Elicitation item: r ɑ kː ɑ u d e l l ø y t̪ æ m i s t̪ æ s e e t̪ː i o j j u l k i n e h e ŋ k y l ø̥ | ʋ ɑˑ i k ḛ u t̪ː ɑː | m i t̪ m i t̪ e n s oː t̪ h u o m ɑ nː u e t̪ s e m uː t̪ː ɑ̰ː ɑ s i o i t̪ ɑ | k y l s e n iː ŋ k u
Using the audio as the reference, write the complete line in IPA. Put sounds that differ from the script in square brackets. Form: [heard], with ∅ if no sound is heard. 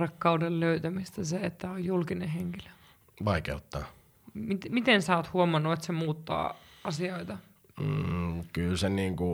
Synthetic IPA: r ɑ kː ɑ u d e l l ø y t̪ æ m i s t̪ æ s e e t̪ː [æ] o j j u l k i n e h e ŋ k [i] l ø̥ | ʋ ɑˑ i k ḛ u t̪ː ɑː | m i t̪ m i t̪ e n s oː t̪ h u o m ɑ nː u e t̪ s e m uː t̪ː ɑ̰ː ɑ s i o i t̪ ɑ | k y l s e n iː ŋ k u